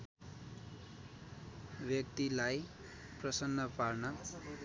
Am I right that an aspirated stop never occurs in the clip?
yes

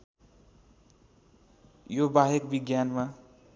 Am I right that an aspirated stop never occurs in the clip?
yes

